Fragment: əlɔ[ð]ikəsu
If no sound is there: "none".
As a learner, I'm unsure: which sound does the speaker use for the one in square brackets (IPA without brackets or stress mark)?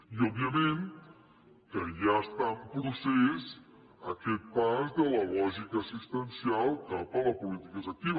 ʒ